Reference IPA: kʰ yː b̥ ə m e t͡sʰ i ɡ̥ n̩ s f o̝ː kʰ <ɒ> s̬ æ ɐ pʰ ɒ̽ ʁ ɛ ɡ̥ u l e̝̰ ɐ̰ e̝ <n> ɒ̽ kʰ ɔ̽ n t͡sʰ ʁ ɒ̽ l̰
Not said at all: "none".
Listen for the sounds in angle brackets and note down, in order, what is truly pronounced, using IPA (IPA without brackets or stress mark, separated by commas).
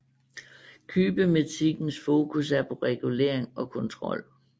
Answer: u, ŋ